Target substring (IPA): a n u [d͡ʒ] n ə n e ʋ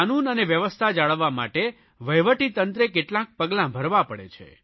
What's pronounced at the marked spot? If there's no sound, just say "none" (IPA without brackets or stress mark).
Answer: none